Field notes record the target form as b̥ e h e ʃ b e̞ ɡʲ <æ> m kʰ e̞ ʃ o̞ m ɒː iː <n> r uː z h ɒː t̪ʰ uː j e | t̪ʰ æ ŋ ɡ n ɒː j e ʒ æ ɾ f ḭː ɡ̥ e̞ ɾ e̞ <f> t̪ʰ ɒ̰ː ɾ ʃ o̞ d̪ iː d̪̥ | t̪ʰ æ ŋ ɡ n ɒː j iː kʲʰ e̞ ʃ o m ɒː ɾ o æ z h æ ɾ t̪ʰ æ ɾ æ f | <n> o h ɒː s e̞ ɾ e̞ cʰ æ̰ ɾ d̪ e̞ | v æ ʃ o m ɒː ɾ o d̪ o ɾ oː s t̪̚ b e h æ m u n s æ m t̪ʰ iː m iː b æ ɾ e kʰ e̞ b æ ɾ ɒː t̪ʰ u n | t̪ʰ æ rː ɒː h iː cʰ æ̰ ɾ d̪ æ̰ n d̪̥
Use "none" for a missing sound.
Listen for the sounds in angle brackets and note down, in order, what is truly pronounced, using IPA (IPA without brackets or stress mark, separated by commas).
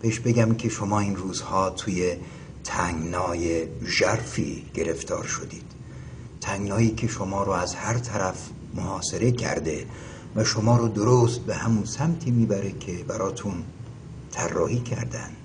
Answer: æ, n, f, m